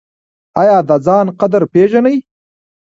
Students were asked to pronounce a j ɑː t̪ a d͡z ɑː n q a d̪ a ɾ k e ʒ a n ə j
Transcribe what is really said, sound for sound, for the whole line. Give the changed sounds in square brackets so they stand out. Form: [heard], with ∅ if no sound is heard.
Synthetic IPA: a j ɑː [d̪] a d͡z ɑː n q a d̪ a ɾ [p] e ʒ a n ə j

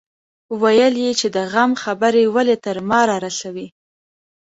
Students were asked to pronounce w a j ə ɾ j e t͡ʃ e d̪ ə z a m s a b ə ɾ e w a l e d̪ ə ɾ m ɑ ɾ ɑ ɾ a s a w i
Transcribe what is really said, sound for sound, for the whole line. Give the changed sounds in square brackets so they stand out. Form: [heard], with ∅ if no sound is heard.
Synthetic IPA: w a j ə [l] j e t͡ʃ e d̪ ə [ɣ] a m [x] a b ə ɾ e w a l e [t̪] ə ɾ m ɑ ɾ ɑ ɾ a s a w i

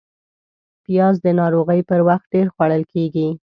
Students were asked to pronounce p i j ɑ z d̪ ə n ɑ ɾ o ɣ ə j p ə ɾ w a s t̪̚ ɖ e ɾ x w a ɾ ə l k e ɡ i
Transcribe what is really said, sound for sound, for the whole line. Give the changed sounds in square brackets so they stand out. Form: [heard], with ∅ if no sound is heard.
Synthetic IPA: p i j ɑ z d̪ ə n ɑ ɾ o ɣ ə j p ə ɾ w a [x] t̪̚ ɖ e ɾ x w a [ɽ] ə l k e ɡ i

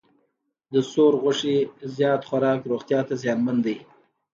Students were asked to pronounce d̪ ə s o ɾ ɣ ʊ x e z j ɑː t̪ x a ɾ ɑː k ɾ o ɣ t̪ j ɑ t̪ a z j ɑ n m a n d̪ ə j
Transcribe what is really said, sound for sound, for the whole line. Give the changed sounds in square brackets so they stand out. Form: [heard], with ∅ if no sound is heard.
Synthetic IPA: d̪ ə s o ɾ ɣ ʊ [ʂ] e z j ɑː t̪ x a ɾ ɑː k ɾ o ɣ t̪ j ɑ t̪ a z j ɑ n m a n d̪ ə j

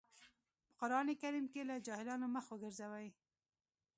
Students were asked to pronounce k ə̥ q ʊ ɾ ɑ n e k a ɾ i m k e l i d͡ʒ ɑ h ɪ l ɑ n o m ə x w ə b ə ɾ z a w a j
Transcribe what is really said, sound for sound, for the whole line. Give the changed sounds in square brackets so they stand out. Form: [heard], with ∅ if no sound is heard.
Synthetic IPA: [p] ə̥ q ʊ ɾ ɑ n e k a ɾ i m k e l [a] d͡ʒ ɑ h ɪ l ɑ n o m ə x w ə [ɡ] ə ɾ z a w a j

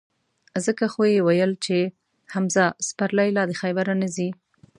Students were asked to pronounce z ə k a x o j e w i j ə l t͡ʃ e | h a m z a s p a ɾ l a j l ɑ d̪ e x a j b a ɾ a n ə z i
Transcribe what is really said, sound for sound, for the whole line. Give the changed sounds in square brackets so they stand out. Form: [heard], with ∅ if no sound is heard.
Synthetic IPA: z ə k a x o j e w [a] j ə l t͡ʃ e | h a m z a s p a ɾ l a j l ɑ d̪ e x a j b a ɾ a n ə z i

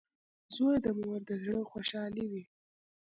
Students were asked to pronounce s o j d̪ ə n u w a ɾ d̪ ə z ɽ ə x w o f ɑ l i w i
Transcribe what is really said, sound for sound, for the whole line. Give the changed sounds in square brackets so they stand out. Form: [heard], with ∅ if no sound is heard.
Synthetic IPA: [z] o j d̪ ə [m] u w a ɾ d̪ ə z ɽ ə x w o [ʃ] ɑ l i w i

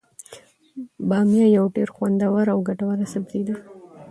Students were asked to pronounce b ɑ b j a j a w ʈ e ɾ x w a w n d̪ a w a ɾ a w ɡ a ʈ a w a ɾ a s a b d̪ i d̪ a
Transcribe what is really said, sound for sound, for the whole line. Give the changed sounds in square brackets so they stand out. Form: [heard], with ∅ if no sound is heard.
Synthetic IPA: b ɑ [m] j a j a w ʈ e ɾ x w a [∅] n d̪ a w a ɾ a w ɡ a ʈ a w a ɾ a s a b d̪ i d̪ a

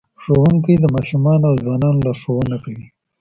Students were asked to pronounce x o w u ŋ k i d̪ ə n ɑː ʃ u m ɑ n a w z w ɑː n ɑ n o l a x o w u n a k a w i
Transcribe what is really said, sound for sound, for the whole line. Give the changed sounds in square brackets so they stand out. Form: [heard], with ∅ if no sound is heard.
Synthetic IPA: [ʂ] o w u ŋ k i d̪ ə [m] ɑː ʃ u m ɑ n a w z w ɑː n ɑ n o l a [ʂ] o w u n a k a w i

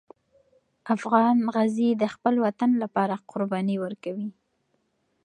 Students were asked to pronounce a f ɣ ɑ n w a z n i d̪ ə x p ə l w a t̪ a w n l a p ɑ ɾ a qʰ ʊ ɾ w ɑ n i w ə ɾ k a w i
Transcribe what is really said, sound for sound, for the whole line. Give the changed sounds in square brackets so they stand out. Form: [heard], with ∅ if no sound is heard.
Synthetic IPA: a f ɣ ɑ n [ɣ] a z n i d̪ ə x p ə l w a t̪ a [∅] n l a p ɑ ɾ a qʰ ʊ ɾ [b] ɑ n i w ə ɾ k a w i

